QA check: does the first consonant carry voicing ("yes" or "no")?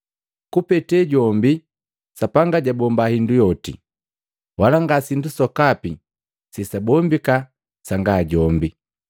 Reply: no